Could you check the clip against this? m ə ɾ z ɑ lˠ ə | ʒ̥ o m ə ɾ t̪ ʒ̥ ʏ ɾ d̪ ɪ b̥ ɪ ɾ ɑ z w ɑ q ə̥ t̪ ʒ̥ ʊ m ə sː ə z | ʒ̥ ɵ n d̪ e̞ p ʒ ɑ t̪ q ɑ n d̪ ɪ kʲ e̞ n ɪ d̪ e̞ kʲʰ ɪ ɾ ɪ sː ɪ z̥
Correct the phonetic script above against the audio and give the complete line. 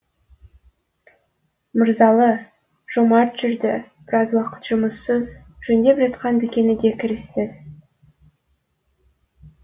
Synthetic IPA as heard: m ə ɾ z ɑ lˠ ə | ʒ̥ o m ɑ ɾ t̪ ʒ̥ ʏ ɾ d̪ ɪ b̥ ɪ ɾ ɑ z w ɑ q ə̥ t̪ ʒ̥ ʊ m ə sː ə z | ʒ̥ ɵ n d̪ e̞ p ʒ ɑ t̪ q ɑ n d̪ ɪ kʲ e̞ n ɪ d̪ e̞ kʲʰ ɪ ɾ ɪ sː ɪ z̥